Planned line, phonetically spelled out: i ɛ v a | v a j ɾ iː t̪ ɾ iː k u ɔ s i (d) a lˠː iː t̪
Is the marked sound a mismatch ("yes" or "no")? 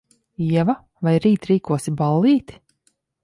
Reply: yes